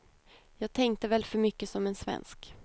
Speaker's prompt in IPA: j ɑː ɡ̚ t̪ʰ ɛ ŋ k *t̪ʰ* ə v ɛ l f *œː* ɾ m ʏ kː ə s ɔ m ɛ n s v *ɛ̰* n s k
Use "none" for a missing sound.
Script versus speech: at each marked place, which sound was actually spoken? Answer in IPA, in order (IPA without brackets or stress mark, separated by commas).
t̪, œ, ɛ̰